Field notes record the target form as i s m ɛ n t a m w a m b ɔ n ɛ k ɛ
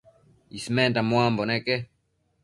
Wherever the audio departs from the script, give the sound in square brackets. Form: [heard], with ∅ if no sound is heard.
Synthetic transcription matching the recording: i s m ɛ n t a m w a m b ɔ n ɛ k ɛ